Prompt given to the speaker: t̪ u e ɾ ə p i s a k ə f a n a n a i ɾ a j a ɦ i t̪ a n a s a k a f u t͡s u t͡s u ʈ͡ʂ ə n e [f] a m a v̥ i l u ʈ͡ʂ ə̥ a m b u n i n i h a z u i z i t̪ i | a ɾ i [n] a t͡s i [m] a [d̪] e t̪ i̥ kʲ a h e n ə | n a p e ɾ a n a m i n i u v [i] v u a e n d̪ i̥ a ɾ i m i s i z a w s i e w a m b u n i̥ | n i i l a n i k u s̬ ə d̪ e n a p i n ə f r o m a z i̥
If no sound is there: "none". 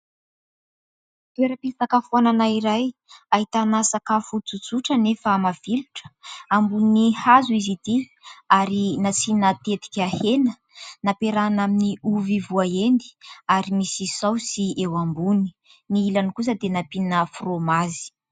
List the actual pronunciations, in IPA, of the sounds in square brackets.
f, n, n, t̪, i

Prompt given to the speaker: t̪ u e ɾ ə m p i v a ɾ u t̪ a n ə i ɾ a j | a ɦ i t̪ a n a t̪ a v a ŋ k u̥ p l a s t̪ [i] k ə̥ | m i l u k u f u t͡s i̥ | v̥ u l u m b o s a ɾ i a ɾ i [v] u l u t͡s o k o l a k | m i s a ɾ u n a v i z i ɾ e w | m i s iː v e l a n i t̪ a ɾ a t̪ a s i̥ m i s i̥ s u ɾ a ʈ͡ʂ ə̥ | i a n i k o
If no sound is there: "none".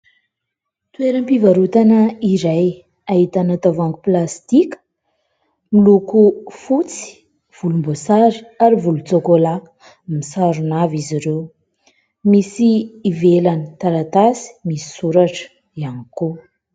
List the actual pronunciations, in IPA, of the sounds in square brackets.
i, v

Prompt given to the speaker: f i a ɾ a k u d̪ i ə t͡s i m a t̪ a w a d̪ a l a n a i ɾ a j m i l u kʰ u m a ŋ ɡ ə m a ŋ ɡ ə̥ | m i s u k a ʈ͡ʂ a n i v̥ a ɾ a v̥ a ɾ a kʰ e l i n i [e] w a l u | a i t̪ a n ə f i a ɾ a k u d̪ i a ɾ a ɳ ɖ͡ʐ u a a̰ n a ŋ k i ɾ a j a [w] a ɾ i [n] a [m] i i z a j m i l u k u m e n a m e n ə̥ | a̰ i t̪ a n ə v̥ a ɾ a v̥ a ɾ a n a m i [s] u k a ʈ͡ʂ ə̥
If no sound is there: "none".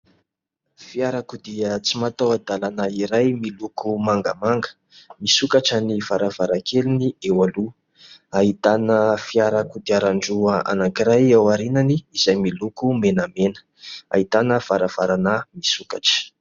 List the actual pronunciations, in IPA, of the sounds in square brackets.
e, w, n, n, s

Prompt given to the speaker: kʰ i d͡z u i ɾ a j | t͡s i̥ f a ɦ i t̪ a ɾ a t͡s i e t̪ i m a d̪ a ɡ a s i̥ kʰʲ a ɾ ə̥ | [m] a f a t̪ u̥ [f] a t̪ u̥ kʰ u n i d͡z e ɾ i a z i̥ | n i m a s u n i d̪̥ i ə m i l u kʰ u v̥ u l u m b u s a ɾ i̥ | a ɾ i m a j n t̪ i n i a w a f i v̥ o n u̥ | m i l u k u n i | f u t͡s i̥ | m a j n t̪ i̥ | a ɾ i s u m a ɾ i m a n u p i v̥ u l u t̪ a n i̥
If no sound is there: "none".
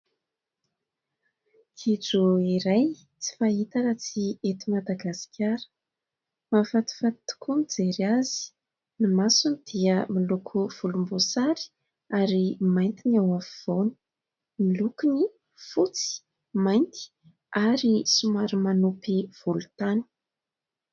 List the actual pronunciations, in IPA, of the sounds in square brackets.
m, f

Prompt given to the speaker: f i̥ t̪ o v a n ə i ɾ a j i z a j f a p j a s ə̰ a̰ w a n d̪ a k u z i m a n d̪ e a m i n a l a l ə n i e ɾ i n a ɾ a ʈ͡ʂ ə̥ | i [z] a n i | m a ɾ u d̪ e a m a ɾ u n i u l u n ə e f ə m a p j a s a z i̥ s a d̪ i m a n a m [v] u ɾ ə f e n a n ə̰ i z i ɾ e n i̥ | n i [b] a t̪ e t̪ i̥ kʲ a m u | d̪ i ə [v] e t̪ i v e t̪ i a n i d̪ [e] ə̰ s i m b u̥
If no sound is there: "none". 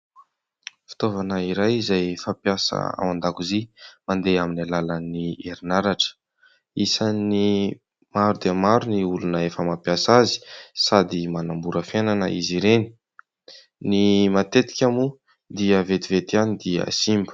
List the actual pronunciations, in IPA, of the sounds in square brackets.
s, b, m, v, i

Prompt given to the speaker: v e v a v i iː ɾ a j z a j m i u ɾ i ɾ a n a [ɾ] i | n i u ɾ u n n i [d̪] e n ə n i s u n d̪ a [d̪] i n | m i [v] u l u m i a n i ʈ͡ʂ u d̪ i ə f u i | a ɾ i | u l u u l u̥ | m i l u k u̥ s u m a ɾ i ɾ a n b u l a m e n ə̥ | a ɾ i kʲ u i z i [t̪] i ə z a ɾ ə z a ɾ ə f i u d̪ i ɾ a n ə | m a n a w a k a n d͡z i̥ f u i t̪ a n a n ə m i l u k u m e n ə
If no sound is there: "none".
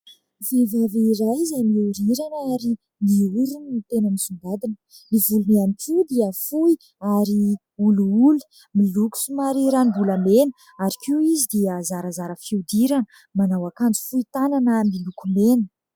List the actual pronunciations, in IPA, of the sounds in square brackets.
ɾ, t̪, d̪, v, d̪

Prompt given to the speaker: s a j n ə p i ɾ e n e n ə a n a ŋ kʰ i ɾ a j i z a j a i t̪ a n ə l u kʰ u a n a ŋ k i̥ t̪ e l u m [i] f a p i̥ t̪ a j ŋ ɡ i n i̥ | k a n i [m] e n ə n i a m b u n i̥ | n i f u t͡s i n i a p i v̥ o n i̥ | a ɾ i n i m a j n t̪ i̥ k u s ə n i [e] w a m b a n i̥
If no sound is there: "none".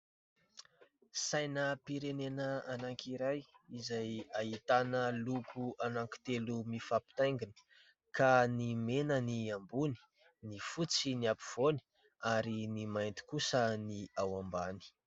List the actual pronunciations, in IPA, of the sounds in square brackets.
i, m, a

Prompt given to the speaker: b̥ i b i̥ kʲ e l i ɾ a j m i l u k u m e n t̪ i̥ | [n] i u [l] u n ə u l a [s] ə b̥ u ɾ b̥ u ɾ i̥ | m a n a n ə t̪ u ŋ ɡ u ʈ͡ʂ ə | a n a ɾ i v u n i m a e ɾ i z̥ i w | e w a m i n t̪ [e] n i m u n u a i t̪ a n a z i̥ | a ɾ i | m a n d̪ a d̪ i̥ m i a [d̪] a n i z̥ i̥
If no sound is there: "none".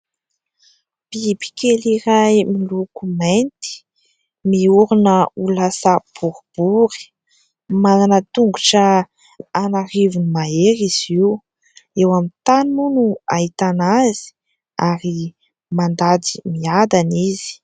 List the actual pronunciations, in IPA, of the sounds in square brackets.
m, ɾ, s, a, d̪

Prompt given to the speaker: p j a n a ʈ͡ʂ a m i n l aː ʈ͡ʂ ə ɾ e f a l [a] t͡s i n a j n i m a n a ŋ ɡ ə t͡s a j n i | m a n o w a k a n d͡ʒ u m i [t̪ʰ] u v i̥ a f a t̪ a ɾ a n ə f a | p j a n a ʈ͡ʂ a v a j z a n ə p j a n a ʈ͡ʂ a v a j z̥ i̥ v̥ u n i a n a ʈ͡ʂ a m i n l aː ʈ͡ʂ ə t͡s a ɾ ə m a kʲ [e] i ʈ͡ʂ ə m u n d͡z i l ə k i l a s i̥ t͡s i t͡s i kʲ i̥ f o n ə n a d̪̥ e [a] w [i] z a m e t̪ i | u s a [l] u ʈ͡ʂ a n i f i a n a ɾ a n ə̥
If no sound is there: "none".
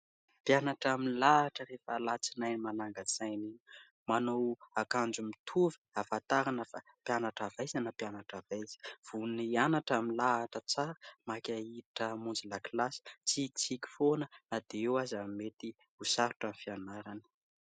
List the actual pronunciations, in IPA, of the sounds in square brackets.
a, t̪ʰ, a, e, a, ɾ

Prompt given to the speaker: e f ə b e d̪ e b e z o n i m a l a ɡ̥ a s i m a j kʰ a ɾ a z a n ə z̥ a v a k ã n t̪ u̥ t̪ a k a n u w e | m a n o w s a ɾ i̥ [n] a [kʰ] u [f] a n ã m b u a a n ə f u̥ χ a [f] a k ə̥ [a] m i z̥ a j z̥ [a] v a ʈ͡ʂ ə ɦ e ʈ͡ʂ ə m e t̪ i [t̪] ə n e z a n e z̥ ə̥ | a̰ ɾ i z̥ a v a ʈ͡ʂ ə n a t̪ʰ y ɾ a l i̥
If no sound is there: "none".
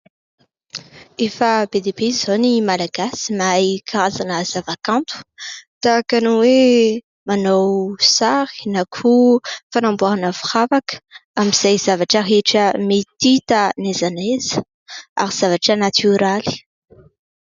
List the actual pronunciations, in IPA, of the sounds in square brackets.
n, kʰ, f, v, a, a, t̪

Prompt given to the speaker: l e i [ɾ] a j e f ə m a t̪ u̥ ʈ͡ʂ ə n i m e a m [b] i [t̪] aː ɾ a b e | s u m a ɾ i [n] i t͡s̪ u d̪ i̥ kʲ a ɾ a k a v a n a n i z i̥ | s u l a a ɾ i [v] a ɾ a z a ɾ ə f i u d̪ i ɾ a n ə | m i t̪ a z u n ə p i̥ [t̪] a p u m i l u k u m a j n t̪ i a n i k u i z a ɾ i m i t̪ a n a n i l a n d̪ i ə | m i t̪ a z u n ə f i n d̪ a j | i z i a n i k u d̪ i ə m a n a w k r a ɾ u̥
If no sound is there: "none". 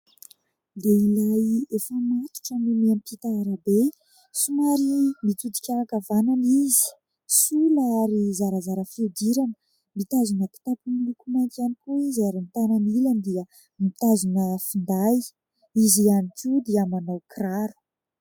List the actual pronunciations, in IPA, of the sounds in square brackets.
l, p, t̪, m, z, t̪

